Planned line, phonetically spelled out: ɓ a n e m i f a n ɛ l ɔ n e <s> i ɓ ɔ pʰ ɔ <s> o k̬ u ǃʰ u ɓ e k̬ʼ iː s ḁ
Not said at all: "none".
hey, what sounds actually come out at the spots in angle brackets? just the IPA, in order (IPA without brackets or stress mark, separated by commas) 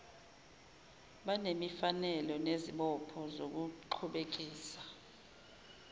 z, z